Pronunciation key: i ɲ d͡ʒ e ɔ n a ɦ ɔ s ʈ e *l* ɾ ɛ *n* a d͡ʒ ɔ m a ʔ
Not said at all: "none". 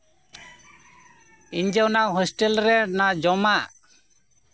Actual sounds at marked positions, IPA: l, n

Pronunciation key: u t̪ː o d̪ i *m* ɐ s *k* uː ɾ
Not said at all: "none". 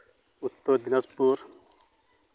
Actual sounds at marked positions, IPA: n, p

